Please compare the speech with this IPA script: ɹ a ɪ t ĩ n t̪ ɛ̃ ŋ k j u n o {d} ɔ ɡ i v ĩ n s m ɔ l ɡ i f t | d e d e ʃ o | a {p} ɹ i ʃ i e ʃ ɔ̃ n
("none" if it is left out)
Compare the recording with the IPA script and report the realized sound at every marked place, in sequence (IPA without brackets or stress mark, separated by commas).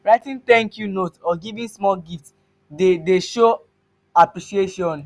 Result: t, p